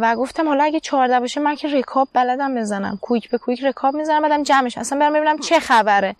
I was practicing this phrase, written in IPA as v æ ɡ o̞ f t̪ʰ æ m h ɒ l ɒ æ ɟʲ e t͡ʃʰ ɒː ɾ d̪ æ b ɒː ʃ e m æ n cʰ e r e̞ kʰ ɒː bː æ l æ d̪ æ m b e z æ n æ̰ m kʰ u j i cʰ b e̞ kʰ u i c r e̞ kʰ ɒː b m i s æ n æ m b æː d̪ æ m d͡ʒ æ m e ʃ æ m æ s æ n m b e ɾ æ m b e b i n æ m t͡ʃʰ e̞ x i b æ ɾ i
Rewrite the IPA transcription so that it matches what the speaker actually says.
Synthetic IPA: v æ ɡ o̞ f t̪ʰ æ m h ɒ l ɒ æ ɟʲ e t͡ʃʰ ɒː ɾ d̪ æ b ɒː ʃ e m æ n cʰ e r e̞ kʰ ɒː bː æ l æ d̪ æ m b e z æ n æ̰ m kʰ u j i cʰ b e̞ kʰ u i c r e̞ kʰ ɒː b m i z æ n æ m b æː d̪ æ m d͡ʒ æ m e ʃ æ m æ s æ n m b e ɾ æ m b e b i n æ m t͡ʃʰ e̞ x æ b æ ɾ e